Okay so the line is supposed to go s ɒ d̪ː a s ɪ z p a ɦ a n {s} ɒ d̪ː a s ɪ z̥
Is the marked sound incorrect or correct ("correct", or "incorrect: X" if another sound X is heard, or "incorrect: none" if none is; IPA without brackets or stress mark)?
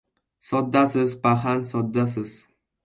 correct